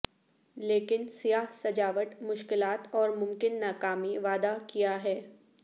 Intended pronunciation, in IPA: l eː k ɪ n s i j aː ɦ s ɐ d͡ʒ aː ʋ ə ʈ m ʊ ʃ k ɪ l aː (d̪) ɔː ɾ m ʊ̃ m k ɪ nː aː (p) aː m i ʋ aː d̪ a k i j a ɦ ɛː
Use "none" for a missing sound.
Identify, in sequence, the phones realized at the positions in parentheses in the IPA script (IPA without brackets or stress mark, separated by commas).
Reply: t̪, k